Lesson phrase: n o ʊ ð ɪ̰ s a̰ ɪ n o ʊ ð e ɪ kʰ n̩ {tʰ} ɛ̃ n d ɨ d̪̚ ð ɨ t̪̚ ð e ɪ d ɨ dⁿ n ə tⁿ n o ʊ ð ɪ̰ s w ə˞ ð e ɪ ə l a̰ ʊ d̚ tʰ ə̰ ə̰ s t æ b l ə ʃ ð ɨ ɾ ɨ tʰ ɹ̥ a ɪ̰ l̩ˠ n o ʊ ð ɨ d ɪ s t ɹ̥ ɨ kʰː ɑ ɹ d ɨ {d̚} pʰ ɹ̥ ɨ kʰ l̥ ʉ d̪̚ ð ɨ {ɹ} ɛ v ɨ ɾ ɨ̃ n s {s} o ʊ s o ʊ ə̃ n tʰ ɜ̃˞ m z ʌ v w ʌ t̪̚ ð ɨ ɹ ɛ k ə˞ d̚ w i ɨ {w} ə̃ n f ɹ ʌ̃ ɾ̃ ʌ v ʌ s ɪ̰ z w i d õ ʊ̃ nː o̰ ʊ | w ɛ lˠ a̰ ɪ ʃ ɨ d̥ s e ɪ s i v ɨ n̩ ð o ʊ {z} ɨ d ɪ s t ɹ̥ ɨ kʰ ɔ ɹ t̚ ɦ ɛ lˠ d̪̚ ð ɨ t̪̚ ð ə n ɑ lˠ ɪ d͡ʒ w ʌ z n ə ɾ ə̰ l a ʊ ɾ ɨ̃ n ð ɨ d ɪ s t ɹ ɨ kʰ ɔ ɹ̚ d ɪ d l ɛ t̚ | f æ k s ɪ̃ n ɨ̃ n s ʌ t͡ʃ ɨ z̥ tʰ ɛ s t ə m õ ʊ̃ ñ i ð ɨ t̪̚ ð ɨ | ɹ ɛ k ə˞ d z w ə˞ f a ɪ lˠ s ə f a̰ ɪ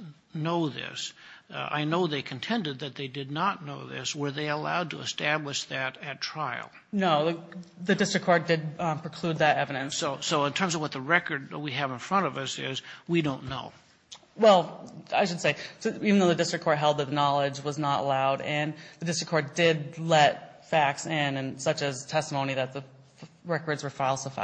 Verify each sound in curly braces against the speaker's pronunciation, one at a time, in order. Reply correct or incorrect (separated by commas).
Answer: correct, correct, incorrect, correct, incorrect, incorrect